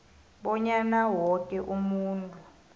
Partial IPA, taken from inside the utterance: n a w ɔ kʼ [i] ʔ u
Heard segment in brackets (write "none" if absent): ɛ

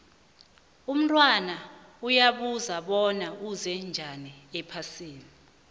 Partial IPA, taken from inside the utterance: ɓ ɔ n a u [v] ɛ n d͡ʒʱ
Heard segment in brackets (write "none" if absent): z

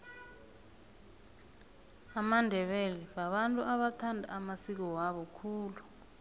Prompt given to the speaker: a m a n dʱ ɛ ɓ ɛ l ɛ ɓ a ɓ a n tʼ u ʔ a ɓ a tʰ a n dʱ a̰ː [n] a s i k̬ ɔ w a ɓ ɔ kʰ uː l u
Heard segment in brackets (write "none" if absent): m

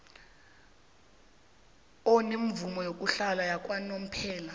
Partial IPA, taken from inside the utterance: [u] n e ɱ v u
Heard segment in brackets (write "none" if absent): ɔ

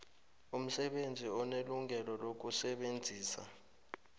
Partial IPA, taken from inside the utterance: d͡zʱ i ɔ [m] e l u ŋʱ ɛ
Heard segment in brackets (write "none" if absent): n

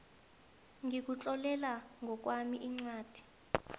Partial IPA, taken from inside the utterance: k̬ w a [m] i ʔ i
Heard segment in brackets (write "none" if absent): m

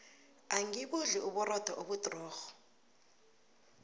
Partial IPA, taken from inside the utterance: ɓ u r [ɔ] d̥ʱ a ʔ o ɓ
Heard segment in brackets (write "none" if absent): ɔ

